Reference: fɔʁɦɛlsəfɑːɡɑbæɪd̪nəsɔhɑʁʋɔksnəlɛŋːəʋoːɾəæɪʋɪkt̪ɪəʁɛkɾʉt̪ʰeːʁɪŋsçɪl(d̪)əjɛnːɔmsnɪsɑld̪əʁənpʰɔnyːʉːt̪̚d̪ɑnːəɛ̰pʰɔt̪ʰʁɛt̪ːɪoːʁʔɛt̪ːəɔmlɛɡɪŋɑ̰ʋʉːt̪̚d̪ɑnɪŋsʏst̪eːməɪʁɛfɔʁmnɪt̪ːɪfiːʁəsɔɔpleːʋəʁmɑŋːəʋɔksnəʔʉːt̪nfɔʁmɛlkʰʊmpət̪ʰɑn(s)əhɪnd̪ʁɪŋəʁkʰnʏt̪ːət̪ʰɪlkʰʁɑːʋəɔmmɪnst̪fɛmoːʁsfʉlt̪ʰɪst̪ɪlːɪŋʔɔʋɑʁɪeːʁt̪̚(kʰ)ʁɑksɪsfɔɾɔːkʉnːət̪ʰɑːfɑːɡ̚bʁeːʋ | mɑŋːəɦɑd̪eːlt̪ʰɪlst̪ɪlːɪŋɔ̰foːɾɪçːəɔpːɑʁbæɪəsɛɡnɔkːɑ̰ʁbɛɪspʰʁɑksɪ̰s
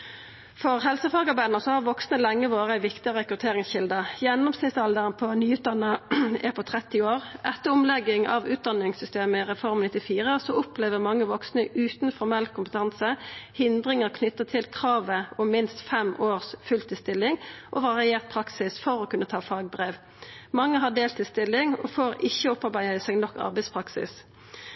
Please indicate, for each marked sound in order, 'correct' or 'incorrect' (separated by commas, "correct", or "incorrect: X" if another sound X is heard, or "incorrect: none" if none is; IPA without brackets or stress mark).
correct, correct, incorrect: pʰ